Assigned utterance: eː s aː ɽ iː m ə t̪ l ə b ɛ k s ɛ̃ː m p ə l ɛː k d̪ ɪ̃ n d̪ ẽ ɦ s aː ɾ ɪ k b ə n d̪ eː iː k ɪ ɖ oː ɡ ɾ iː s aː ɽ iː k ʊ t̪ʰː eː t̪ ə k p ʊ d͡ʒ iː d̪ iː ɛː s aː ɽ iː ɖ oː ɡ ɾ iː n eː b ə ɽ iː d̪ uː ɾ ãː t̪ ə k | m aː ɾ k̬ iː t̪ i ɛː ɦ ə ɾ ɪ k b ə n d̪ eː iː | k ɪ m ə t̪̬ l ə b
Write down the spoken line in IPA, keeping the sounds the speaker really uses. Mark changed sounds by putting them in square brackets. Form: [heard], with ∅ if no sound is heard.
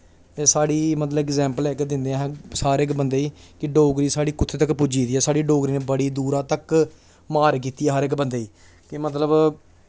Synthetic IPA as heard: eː s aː ɽ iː m ə t̪ l ə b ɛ k [z] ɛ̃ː m p ə l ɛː k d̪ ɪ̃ n d̪ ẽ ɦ s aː ɾ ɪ k b ə n d̪ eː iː k ɪ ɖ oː ɡ ɾ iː s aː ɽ iː k ʊ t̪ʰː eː t̪ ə k p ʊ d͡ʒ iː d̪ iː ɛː s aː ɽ iː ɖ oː ɡ ɾ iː n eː b ə ɽ iː d̪ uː ɾ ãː t̪ ə k | m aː ɾ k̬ iː t̪ i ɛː ɦ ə ɾ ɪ k b ə n d̪ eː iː | k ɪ m ə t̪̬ l ə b

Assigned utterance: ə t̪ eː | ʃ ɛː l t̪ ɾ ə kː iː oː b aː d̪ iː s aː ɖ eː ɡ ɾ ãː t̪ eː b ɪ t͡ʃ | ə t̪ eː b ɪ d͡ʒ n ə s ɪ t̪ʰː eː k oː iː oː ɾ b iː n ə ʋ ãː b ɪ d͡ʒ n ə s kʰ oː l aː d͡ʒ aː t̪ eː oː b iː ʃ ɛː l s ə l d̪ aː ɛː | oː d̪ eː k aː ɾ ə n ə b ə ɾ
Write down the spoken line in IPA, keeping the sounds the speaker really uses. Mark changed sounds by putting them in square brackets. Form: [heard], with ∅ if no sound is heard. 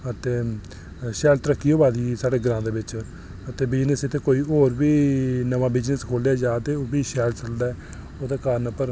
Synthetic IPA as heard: ə t̪ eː | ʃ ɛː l t̪ ɾ ə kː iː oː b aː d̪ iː s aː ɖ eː ɡ ɾ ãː [d̪] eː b ɪ t͡ʃ | ə t̪ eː b ɪ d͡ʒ n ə s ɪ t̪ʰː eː k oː iː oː ɾ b iː n ə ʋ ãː b ɪ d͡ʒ n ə s kʰ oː l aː d͡ʒ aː t̪ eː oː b iː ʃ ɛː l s ə l d̪ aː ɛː | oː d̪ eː k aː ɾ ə n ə [p] ə ɾ

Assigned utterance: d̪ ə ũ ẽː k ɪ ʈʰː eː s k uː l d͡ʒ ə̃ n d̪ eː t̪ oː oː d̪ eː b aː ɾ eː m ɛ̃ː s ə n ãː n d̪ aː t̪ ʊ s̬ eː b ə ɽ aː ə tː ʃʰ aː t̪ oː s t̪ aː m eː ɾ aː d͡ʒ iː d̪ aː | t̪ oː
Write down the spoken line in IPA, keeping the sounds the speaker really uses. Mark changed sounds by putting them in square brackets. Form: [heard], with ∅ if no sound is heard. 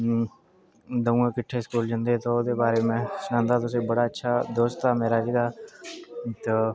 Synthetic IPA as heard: d̪ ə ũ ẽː k ɪ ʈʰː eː s k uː l d͡ʒ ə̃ n d̪ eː t̪ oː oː d̪ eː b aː ɾ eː m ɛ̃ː s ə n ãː n d̪ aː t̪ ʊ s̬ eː b ə ɽ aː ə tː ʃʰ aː [d̪] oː s t̪ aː m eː ɾ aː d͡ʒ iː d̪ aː | t̪ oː

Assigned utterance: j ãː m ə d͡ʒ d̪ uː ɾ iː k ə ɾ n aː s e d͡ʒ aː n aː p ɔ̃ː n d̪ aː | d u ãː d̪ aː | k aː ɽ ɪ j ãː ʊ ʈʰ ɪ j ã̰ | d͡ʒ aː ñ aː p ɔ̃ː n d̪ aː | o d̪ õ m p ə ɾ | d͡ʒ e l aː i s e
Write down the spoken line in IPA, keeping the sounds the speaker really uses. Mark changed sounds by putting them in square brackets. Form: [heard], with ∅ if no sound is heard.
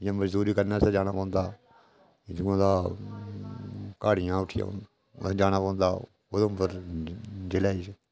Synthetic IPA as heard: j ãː m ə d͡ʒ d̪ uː ɾ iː k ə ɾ n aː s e d͡ʒ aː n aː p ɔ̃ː n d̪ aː | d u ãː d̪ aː | k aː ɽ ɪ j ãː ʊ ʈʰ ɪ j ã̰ | d͡ʒ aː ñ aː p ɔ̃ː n d̪ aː | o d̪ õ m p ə ɾ | d͡ʒ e l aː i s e

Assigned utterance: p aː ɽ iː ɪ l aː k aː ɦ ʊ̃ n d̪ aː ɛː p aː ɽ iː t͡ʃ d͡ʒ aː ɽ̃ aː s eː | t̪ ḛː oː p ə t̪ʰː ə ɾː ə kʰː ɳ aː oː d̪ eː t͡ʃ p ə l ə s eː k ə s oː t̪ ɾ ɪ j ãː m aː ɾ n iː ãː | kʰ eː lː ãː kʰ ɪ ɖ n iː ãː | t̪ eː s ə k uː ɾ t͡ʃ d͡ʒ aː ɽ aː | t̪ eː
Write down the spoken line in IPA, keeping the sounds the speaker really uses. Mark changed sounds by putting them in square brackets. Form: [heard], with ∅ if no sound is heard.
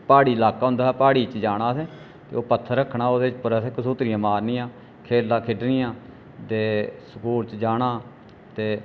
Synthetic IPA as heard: p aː ɽ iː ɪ l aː k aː ɦ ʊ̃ n d̪ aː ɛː p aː ɽ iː t͡ʃ d͡ʒ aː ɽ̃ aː s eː | t̪ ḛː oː p ə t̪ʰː ə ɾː ə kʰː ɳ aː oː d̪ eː t͡ʃ p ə [ɾ] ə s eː k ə s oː t̪ ɾ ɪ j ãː m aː ɾ n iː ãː | kʰ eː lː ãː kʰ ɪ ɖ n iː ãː | t̪ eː s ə k uː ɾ t͡ʃ d͡ʒ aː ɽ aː | t̪ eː

